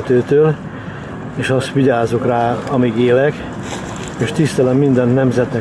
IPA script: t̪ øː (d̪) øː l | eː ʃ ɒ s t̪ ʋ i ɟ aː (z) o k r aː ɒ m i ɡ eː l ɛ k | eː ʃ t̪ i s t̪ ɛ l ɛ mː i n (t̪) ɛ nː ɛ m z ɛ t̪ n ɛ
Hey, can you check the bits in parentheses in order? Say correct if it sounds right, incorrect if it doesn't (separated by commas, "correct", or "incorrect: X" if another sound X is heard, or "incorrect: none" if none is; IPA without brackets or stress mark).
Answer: incorrect: t̪, correct, incorrect: d̪